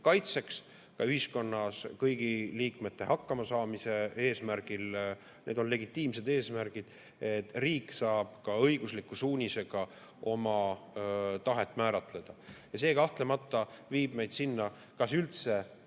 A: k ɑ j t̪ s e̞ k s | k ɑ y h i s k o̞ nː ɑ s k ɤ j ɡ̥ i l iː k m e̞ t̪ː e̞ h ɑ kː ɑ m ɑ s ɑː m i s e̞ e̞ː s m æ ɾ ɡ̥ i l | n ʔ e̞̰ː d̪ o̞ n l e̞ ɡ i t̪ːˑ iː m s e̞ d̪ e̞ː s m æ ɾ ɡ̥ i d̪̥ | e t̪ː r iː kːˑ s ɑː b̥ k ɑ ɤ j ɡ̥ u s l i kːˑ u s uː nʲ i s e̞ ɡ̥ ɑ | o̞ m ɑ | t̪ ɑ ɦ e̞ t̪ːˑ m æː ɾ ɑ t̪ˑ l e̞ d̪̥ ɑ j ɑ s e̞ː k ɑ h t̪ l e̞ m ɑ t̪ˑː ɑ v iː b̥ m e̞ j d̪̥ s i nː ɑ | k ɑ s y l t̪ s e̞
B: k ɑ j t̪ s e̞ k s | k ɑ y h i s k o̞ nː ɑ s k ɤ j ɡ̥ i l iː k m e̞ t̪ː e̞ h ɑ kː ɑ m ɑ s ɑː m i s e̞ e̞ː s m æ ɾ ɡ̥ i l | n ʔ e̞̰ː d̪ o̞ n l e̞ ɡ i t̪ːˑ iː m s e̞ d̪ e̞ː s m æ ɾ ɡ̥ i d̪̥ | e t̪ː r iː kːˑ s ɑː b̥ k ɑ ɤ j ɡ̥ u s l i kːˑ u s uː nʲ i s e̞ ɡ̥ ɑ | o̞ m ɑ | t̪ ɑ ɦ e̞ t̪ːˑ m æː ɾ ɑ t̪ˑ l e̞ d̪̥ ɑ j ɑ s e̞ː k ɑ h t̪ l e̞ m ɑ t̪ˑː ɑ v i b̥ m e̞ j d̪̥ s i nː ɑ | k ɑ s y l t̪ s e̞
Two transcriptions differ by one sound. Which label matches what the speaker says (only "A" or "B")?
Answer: A